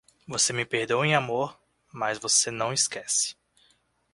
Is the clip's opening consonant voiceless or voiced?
voiced